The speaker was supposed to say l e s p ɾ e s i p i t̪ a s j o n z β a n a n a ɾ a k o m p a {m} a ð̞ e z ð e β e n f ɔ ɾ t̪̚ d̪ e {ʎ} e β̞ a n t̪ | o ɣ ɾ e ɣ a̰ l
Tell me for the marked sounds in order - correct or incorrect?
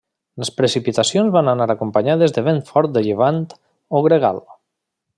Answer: incorrect: ɲ, correct

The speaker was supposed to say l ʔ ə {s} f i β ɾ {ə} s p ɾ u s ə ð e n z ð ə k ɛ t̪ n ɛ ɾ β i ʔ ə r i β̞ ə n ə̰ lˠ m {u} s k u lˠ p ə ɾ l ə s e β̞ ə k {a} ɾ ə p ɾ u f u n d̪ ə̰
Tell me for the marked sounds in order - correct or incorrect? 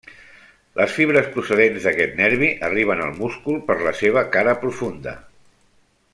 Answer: correct, correct, correct, correct

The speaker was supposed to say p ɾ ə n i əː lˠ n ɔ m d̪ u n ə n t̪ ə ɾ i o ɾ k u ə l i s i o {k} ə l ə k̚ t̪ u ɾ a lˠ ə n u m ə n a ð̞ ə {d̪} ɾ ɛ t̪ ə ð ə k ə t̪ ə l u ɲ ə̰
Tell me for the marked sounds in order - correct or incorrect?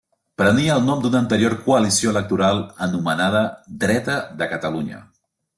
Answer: incorrect: none, correct

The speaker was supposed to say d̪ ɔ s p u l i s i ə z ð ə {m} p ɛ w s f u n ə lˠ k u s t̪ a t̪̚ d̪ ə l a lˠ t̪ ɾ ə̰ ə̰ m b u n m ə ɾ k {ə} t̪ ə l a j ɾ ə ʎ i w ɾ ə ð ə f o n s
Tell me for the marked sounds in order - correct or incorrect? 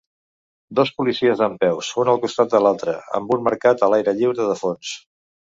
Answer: correct, incorrect: a

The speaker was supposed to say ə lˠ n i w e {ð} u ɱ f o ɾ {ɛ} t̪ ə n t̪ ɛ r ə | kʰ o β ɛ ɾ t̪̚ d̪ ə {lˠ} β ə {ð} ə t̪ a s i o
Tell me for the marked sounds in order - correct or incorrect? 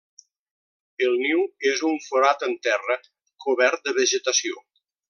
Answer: incorrect: z, incorrect: a, incorrect: none, incorrect: ʒ

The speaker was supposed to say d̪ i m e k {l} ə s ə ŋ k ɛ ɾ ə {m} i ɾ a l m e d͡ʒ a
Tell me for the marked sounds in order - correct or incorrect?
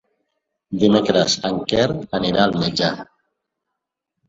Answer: incorrect: ɾ, incorrect: n

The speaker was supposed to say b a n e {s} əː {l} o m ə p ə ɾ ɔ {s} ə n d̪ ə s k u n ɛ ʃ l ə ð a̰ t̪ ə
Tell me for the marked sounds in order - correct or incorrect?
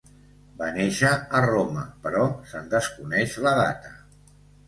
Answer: incorrect: ʃ, incorrect: r, correct

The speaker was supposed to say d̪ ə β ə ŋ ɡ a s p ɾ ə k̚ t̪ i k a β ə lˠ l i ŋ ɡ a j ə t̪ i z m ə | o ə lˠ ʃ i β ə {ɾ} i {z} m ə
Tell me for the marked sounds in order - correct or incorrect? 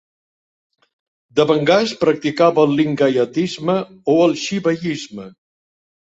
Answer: incorrect: ʎ, correct

